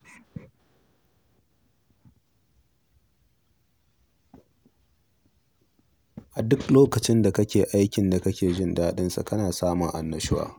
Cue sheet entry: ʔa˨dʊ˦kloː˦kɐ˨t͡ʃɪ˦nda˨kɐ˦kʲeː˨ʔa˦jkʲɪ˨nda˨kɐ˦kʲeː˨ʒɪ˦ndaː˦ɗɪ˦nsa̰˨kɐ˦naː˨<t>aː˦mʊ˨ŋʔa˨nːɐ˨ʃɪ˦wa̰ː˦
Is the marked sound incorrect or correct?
incorrect: s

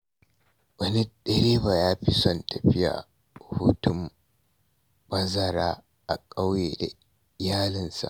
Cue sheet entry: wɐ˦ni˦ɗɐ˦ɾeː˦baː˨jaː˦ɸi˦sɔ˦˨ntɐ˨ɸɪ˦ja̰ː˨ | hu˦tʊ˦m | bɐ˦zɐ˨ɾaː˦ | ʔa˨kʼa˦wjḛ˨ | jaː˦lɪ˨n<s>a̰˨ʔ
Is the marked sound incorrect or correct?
correct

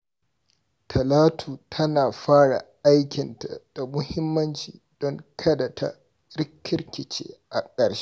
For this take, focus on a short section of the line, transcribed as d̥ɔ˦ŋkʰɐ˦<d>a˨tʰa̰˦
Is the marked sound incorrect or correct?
correct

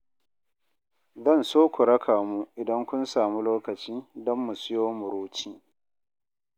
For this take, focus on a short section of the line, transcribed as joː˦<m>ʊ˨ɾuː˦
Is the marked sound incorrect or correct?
correct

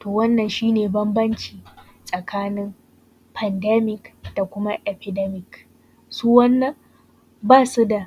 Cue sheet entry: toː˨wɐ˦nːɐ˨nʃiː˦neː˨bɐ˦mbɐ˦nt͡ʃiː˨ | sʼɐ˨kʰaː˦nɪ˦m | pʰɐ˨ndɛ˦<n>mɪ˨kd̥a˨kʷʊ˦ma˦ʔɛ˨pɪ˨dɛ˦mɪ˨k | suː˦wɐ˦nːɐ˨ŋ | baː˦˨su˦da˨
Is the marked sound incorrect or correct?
incorrect: none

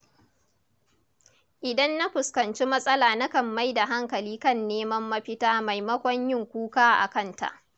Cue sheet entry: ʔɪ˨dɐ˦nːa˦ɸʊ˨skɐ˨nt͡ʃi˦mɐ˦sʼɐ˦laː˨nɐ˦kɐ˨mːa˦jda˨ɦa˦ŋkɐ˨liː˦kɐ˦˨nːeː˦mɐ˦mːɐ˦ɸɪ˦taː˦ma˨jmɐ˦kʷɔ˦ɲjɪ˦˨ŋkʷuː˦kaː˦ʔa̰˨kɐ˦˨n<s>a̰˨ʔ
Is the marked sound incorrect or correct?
incorrect: t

